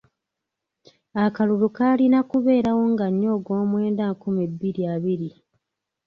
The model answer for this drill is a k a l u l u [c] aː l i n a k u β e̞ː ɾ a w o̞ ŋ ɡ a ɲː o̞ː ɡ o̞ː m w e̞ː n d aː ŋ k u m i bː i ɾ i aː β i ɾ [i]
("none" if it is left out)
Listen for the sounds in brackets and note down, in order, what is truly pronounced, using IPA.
k, i

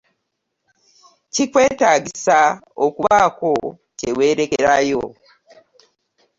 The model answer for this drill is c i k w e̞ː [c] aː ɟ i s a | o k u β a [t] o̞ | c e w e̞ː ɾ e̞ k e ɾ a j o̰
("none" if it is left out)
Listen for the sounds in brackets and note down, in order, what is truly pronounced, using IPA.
t, k

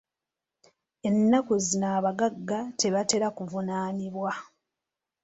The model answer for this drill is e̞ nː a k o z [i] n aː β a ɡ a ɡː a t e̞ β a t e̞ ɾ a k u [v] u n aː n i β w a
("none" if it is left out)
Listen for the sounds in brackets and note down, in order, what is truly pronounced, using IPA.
i, v

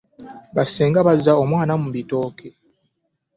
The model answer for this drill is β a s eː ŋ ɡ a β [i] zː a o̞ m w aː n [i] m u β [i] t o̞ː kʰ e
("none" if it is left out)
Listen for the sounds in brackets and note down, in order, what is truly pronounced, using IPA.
a, a, i

